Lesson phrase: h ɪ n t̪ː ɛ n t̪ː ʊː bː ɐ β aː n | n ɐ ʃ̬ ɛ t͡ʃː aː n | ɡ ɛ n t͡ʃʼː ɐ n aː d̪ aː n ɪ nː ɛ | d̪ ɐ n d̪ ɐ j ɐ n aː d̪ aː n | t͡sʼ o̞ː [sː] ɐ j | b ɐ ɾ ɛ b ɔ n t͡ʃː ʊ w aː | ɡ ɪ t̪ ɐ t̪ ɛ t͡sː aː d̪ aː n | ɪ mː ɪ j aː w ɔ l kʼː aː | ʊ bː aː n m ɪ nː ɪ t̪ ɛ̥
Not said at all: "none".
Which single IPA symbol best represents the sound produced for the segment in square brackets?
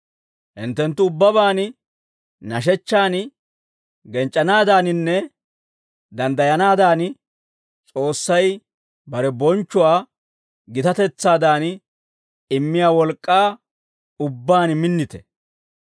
sː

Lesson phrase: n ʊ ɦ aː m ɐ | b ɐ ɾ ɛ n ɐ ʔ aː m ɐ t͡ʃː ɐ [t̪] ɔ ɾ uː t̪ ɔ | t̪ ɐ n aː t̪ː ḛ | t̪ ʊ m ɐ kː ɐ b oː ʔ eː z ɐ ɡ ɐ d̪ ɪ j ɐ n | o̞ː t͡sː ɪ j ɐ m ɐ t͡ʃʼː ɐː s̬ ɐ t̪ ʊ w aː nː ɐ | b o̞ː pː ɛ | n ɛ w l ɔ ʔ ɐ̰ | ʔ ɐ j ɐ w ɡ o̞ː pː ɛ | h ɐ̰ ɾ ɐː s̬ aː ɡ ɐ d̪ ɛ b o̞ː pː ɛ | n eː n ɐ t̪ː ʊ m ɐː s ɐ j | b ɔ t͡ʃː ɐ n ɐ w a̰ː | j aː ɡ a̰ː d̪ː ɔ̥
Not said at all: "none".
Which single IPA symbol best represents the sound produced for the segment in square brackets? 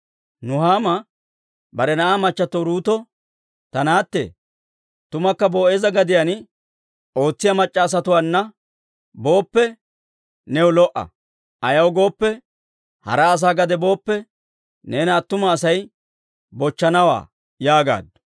t̪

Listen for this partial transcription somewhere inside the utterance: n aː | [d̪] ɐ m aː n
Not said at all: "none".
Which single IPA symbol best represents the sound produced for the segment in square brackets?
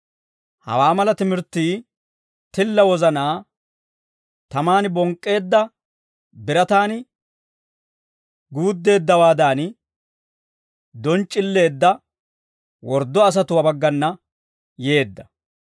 t̪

